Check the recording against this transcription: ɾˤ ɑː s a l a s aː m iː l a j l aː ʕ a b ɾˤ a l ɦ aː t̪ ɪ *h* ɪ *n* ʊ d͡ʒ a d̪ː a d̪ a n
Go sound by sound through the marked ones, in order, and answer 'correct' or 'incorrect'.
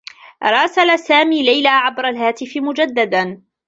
incorrect, incorrect

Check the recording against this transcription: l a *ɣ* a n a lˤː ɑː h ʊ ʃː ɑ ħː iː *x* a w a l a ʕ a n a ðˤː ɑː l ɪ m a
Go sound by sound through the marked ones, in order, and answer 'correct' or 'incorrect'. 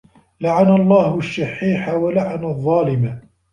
incorrect, incorrect

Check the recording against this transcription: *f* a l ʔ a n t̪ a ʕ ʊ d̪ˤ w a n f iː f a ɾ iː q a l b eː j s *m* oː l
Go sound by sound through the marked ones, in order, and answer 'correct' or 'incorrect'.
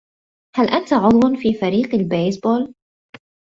incorrect, incorrect

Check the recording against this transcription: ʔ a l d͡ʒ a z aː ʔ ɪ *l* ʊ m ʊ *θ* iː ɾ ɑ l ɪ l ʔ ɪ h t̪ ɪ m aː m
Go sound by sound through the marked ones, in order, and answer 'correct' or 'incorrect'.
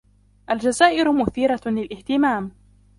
incorrect, correct

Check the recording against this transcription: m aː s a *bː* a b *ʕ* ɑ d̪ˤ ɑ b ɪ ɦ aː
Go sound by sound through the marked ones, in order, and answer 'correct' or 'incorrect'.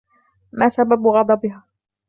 incorrect, incorrect

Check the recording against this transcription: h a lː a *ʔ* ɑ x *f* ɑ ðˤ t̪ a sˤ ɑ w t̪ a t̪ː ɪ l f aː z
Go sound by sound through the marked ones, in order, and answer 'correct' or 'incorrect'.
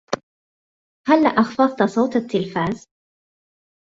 correct, correct

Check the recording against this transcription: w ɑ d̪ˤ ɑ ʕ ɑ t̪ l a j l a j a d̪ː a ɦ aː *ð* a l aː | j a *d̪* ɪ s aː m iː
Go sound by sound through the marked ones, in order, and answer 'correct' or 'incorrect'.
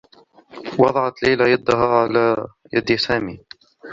incorrect, correct

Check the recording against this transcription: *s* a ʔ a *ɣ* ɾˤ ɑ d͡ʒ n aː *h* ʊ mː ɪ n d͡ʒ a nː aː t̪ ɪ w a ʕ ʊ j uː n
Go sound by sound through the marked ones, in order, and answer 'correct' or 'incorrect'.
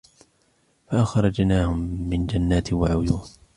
incorrect, incorrect, correct

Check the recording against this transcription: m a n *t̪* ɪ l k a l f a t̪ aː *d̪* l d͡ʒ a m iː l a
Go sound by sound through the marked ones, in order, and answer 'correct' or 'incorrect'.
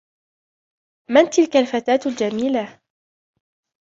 correct, incorrect

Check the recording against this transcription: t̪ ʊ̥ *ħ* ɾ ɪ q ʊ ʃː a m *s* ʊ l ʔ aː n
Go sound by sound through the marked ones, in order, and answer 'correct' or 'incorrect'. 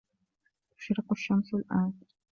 incorrect, correct

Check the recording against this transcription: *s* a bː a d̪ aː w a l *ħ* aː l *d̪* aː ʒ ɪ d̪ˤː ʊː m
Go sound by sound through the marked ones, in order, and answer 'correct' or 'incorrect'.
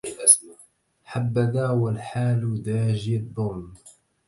incorrect, correct, correct

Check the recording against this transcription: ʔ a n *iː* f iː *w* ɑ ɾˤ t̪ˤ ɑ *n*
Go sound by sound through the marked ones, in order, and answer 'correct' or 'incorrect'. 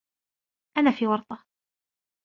incorrect, correct, incorrect

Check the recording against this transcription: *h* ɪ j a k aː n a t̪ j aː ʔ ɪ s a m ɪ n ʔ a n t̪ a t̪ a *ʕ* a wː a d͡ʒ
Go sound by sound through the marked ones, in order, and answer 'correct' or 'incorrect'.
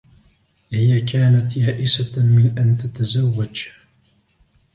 correct, incorrect

